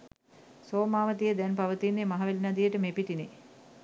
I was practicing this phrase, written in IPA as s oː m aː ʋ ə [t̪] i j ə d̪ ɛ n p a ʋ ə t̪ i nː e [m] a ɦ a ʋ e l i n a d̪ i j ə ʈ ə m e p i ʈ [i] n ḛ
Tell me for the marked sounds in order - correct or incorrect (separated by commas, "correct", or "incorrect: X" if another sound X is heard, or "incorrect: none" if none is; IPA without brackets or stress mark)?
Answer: correct, correct, correct